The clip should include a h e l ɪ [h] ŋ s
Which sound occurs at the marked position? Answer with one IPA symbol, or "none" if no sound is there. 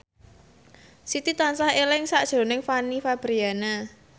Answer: none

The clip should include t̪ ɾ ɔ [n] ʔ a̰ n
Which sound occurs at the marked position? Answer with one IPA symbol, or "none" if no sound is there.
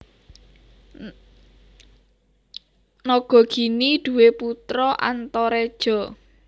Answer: none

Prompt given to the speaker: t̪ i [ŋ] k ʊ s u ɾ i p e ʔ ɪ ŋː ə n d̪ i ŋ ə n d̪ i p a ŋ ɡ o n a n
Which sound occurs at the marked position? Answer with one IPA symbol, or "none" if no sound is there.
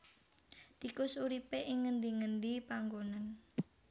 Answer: none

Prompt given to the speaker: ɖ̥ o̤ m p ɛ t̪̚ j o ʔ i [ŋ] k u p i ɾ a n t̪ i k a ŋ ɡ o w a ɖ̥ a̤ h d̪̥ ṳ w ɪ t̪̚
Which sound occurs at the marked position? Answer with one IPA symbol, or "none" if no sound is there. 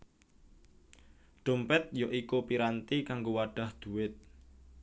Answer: none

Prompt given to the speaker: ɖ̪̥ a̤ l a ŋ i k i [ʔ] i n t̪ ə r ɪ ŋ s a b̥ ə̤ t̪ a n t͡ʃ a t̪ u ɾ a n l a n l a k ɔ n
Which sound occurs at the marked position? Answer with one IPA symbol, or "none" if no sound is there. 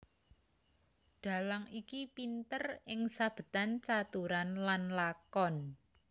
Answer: p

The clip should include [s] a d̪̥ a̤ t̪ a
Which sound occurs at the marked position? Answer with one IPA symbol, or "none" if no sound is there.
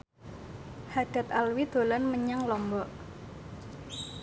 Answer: h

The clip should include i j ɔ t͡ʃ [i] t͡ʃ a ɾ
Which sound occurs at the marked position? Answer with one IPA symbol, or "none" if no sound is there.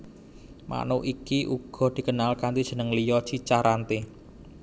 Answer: i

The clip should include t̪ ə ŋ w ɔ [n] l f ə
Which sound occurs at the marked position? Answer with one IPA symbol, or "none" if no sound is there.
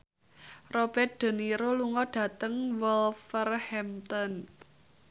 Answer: none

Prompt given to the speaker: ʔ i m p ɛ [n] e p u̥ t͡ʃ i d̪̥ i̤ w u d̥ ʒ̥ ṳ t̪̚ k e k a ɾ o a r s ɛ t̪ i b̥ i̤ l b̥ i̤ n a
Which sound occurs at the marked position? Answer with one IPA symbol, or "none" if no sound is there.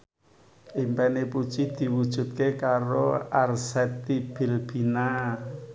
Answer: n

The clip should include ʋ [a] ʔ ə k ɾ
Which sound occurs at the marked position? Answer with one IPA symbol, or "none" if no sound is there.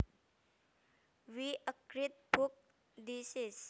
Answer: i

